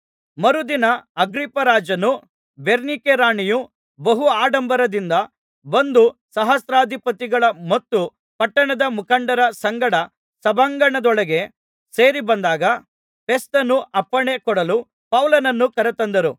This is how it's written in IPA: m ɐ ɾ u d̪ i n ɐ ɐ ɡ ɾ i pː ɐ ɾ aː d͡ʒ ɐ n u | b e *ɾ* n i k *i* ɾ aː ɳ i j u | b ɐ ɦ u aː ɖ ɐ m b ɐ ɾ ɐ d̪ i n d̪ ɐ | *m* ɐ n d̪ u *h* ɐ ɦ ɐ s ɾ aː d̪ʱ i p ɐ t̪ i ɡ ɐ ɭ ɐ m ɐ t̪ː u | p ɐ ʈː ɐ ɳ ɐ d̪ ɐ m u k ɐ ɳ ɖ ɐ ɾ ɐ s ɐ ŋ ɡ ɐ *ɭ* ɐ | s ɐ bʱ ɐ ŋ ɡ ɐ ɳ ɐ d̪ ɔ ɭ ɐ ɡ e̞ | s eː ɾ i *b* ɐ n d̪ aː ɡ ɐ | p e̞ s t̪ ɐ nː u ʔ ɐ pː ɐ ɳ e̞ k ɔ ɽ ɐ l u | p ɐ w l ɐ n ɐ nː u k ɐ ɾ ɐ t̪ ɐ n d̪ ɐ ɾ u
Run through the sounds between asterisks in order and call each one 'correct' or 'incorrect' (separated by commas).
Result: correct, incorrect, incorrect, incorrect, incorrect, correct